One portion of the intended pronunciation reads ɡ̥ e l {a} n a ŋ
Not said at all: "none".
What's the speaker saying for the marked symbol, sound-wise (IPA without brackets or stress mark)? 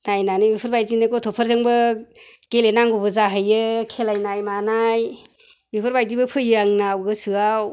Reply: e